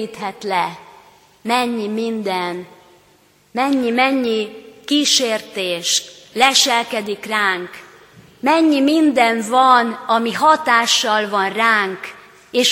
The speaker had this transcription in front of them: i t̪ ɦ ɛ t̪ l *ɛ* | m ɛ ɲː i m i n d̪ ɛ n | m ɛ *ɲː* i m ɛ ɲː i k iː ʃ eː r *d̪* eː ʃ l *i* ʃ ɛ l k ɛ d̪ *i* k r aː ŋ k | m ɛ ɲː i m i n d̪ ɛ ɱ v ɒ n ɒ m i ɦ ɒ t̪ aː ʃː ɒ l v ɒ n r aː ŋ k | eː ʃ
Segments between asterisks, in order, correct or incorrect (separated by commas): correct, correct, incorrect, incorrect, correct